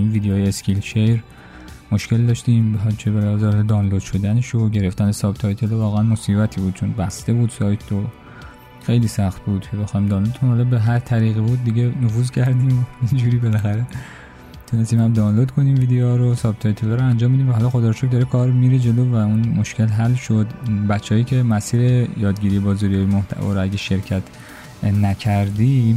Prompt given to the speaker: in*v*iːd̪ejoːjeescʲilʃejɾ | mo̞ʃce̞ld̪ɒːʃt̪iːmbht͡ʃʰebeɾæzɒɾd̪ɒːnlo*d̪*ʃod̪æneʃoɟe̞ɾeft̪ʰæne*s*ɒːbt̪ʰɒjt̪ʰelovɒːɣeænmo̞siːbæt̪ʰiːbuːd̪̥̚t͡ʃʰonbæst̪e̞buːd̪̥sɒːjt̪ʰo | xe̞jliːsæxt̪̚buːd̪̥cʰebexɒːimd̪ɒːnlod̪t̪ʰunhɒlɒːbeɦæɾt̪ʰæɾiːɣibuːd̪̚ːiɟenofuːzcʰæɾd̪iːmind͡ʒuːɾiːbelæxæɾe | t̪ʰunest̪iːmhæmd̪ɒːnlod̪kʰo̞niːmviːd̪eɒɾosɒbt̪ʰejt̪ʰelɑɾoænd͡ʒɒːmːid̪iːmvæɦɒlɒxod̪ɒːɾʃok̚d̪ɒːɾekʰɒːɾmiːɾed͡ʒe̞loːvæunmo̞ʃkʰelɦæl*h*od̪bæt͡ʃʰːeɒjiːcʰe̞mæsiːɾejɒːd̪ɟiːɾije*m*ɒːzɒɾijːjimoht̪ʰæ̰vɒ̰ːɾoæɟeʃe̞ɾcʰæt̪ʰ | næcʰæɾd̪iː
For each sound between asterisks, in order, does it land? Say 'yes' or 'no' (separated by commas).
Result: yes, yes, yes, no, no